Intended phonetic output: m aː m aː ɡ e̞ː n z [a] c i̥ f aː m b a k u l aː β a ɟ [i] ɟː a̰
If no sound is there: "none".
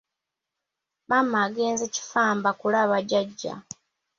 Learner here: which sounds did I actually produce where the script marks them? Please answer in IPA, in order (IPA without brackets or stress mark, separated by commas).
e, a